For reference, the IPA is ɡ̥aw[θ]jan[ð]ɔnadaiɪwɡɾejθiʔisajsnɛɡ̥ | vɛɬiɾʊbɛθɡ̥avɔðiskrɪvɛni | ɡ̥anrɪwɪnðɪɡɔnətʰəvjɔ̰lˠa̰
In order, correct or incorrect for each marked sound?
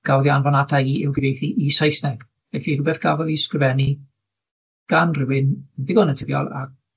incorrect: ð, incorrect: v

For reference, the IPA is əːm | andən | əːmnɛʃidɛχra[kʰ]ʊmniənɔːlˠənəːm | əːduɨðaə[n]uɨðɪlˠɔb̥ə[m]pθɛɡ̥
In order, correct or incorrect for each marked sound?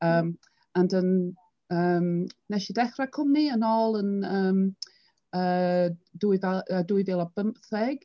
correct, incorrect: d, correct

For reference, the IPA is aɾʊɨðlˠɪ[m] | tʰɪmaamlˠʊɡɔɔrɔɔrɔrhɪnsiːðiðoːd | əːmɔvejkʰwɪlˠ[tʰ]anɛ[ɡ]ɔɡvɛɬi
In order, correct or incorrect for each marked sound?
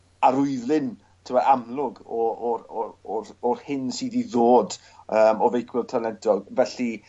incorrect: n, correct, incorrect: d

